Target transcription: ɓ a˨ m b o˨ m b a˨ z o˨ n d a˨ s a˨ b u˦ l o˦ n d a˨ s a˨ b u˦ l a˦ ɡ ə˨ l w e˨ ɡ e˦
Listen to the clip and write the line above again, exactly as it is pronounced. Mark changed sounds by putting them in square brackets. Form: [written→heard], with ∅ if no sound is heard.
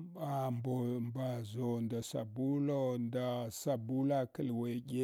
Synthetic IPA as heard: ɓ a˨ m b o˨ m b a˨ z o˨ n d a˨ s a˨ b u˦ l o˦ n d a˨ s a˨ b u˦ l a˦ [ɡ→k] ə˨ l w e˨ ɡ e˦